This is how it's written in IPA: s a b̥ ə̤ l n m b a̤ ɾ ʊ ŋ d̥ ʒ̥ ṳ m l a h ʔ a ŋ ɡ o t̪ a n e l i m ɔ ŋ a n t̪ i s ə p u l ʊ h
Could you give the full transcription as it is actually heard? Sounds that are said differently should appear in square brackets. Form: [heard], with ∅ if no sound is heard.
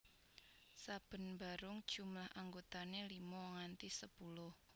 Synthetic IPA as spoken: s a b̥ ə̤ [∅] n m b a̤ ɾ ʊ ŋ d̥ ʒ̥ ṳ m l a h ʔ a ŋ ɡ o t̪ a n e l i m ɔ ŋ a n t̪ i s ə p u l ʊ h